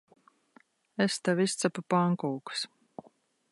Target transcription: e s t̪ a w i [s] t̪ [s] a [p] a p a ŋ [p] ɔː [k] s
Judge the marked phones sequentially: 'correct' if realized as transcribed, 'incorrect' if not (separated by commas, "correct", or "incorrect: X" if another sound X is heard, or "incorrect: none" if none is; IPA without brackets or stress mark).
correct, correct, correct, incorrect: k, correct